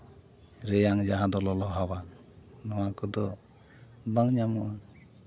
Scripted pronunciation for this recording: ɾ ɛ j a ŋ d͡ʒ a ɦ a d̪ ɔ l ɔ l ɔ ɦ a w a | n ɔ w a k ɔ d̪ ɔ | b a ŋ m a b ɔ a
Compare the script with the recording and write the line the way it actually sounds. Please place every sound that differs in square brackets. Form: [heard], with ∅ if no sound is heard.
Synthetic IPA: ɾ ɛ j a ŋ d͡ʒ a ɦ a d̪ ɔ l ɔ l ɔ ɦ a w a | n ɔ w a k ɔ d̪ ɔ | b a ŋ [ɲ] a [m] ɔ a